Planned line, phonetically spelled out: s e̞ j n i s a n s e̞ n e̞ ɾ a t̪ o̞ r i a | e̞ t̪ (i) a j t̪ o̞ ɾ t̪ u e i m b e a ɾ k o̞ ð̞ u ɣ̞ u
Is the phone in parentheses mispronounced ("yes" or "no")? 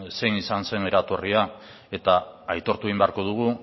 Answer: yes